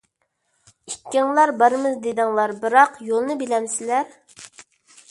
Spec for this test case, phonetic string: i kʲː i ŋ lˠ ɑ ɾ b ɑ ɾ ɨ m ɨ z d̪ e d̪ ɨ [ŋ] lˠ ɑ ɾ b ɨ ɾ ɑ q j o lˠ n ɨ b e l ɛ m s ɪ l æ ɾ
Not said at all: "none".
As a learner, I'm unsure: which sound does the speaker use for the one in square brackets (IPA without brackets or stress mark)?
ŋ